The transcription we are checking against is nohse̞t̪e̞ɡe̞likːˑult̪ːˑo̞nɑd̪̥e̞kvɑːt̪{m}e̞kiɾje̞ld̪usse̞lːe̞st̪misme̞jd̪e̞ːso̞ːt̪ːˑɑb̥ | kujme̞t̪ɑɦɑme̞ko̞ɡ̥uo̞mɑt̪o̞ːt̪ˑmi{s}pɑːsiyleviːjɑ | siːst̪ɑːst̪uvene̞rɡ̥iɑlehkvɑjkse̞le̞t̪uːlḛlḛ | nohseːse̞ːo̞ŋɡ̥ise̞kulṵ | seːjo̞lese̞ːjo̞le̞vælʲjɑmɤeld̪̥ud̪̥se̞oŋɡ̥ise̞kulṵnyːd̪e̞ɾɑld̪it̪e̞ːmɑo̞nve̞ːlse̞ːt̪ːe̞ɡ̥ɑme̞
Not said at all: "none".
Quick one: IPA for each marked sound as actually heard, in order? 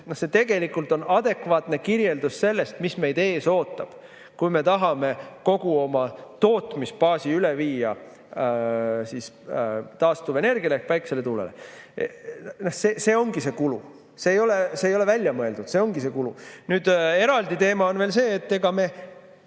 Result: n, s

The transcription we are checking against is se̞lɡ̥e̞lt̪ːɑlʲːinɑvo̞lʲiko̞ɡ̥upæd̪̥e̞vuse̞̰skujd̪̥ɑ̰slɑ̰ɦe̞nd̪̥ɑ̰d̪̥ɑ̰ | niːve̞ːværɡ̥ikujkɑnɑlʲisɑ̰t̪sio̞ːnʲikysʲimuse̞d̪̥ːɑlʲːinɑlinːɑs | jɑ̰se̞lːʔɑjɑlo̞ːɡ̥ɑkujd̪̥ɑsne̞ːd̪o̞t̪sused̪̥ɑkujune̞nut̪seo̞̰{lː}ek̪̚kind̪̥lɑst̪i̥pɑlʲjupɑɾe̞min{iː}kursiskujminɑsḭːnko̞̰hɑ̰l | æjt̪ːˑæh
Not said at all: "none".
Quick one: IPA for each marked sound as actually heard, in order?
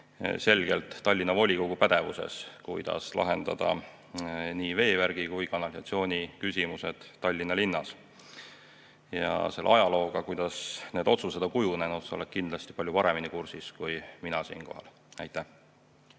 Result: l, i

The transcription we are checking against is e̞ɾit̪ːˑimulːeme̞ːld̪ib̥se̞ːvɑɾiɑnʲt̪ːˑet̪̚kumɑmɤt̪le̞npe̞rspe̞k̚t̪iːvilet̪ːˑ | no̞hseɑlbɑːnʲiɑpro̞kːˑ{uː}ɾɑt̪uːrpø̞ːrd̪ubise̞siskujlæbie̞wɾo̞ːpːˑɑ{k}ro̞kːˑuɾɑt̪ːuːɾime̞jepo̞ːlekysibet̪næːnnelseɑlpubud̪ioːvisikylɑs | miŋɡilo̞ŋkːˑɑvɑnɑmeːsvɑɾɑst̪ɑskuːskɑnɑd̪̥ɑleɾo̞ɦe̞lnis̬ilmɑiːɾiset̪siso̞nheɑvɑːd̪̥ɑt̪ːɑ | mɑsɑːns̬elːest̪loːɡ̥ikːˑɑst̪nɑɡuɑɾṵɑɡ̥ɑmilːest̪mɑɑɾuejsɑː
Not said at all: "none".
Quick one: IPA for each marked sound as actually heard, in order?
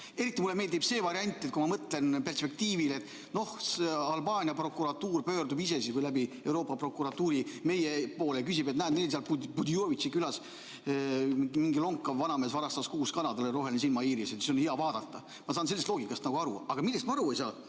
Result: u, p

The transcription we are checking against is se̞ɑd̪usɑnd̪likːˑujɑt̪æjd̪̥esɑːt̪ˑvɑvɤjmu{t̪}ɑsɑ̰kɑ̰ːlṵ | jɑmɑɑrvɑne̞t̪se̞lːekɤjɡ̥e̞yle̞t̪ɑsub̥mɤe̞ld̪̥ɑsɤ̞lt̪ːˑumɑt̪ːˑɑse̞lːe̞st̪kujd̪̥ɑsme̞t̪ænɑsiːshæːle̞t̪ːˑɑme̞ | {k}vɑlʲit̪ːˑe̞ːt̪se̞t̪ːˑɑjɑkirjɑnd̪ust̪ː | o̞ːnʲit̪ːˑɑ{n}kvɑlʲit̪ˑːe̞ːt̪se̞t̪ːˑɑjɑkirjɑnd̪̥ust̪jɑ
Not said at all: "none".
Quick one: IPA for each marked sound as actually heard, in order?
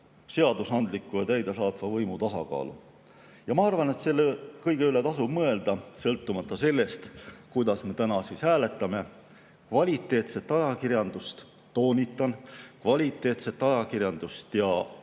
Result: t̪, k, n

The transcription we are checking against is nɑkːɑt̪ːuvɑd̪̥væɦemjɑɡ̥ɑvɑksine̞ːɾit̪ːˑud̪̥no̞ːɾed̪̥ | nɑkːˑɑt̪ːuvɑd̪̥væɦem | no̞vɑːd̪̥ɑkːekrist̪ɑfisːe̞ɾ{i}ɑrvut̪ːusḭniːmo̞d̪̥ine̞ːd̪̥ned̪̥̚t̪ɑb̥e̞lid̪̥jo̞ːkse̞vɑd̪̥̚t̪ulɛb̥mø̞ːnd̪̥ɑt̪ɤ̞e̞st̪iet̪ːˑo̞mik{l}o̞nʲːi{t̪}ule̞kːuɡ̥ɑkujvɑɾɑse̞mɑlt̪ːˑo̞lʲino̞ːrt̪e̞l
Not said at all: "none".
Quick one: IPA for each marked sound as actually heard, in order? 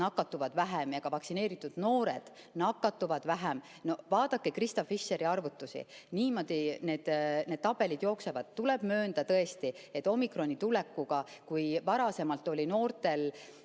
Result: i, r, t̪

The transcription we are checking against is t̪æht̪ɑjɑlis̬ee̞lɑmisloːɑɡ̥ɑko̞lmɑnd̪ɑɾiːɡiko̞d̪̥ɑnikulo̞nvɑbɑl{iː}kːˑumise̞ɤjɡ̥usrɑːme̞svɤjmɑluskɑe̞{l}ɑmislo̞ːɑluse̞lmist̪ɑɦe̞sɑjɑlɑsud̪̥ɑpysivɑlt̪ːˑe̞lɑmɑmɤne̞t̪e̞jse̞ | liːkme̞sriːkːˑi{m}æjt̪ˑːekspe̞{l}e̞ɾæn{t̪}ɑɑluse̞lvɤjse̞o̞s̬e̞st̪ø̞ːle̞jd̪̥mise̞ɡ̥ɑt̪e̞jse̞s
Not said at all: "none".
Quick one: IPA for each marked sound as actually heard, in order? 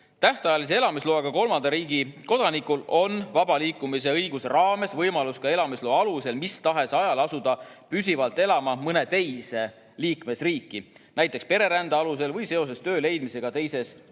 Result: iː, l, n, ɾ, d̪

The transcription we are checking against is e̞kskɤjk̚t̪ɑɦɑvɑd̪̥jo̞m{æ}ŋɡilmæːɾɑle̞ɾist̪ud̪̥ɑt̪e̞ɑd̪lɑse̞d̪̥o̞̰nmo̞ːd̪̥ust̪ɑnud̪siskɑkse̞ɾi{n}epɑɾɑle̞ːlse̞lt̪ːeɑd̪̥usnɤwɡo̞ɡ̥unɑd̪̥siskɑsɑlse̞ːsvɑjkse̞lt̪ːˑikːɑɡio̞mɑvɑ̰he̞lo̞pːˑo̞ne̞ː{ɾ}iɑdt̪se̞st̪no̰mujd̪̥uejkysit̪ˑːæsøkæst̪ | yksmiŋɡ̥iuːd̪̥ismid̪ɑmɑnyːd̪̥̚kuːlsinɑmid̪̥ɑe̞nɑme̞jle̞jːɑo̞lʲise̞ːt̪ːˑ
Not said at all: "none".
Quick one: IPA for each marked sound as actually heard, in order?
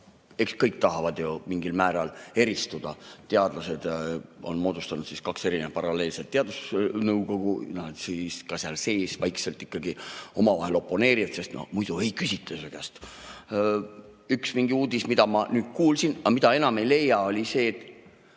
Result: i, n, ɾ

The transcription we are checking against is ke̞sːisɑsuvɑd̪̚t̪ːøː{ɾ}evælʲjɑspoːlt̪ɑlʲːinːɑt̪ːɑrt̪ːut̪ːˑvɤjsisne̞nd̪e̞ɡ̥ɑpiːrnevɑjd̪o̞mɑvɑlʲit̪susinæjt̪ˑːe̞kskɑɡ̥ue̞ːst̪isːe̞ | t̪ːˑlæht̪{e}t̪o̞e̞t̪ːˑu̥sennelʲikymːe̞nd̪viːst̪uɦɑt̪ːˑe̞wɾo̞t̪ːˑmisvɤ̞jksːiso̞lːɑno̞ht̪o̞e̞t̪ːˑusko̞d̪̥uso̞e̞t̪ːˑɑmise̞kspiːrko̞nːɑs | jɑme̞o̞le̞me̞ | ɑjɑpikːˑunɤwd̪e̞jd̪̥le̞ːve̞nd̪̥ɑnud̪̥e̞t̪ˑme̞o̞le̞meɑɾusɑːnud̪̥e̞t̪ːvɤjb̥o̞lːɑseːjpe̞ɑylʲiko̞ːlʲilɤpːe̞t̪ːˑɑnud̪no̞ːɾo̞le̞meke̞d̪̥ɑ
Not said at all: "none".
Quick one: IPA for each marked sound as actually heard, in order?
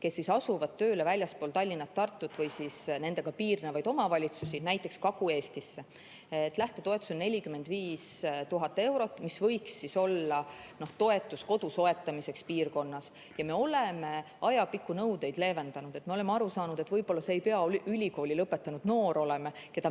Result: l, e

